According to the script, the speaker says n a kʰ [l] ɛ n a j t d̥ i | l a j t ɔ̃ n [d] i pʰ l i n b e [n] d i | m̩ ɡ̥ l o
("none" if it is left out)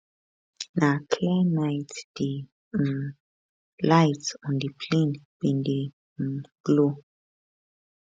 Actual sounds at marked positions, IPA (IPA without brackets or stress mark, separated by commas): l, d, n